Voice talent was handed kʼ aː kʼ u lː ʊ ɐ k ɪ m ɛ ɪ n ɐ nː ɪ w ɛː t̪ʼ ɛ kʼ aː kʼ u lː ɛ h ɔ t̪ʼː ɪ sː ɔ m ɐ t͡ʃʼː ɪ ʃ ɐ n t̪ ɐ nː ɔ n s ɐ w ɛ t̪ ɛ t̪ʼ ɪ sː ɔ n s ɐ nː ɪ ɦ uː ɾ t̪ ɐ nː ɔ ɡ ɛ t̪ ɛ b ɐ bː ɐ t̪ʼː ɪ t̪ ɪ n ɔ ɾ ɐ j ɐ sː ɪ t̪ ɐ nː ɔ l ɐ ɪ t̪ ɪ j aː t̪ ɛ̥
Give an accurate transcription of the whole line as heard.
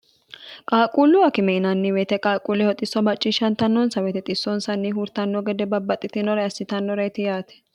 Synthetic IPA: kʼ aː kʼ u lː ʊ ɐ k ɪ m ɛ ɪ n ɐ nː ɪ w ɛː t̪ ɛ kʼ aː kʼ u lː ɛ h ɔ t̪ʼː ɪ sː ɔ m ɐ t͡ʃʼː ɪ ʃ ɐ n t̪ ɐ nː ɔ n s ɐ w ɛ t̪ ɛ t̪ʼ ɪ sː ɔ n s ɐ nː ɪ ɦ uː ɾ t̪ ɐ nː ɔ ɡ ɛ d̪ ɛ b ɐ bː ɐ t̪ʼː ɪ t̪ ɪ n ɔ ɾ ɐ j ɐ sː ɪ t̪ ɐ nː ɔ ɾ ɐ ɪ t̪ ɪ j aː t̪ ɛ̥